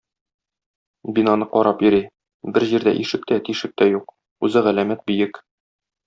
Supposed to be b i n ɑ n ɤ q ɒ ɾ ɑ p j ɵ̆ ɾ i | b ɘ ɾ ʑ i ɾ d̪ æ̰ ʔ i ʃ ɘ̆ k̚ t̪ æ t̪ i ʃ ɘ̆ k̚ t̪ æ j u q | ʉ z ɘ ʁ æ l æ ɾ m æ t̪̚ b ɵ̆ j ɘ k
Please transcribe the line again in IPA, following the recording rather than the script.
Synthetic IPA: b i n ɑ n ɤ q ɒ ɾ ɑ p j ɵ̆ ɾ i | b ɘ ɾ ʑ i ɾ d̪ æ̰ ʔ i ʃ ɘ̆ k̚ t̪ æ t̪ i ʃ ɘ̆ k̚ t̪ æ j u q | ʉ z ɘ ʁ æ l æ m æ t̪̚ b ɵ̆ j ɘ k